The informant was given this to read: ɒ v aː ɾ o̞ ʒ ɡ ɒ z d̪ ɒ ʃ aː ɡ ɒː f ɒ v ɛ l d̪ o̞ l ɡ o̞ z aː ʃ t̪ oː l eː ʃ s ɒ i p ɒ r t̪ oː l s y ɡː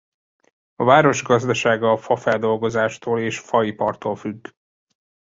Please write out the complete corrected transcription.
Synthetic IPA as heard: ɒ v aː ɾ o̞ ʒ ɡ ɒ z d̪ ɒ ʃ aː ɡ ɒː f ɒ f ɛ l d̪ o̞ l ɡ o̞ z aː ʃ t̪ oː l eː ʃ f ɒ i p ɒ r t̪ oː l f y ɡː